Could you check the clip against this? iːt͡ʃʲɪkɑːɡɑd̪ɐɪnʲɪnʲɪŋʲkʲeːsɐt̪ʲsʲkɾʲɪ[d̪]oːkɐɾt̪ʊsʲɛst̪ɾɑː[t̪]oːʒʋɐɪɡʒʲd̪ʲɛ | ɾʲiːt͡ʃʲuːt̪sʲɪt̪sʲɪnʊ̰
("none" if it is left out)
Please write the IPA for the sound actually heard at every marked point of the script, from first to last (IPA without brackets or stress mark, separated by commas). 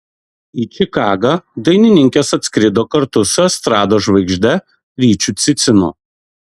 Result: d̪, d̪